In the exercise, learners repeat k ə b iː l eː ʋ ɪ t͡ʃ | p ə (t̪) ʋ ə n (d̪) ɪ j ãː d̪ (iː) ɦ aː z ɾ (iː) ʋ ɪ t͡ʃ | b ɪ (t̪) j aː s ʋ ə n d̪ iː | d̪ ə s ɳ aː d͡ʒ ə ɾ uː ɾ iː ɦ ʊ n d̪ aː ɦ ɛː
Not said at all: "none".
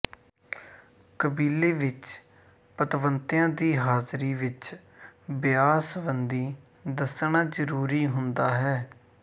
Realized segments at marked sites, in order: t̪, t̪, iː, iː, none

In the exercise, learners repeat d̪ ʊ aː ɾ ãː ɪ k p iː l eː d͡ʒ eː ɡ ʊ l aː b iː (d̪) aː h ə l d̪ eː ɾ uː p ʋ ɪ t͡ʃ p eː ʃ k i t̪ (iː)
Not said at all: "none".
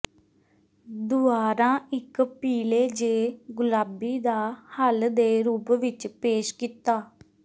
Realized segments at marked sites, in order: d̪, aː

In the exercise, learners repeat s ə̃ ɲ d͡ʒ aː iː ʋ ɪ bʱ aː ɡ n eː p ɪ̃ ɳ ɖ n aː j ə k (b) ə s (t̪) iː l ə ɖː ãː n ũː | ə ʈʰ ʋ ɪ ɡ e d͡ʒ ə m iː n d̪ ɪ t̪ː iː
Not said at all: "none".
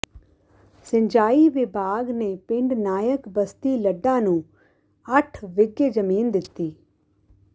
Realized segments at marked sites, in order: b, t̪

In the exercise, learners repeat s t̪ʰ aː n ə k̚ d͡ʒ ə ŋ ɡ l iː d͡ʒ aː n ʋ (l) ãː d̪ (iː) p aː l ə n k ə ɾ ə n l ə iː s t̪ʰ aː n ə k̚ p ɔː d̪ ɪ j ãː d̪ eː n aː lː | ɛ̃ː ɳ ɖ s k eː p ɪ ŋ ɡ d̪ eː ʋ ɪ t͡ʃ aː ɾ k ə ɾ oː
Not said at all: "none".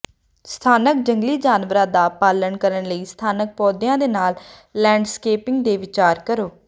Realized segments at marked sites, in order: ɾ, aː

